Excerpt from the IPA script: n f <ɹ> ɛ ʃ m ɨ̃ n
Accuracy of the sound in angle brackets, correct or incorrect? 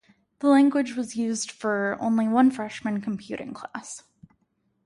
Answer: correct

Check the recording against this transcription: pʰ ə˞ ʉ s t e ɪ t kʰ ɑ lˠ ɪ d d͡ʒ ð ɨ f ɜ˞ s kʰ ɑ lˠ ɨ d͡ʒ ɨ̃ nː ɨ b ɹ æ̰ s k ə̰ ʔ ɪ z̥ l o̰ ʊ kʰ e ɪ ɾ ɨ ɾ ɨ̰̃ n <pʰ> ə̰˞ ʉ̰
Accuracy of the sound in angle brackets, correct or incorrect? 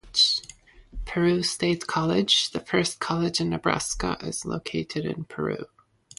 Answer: correct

